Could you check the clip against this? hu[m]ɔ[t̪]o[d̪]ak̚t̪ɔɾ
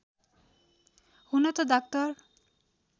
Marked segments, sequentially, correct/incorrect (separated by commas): incorrect, correct, correct